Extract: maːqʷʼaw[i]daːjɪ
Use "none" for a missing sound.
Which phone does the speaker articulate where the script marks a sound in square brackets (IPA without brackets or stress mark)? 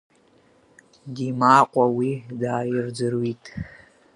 i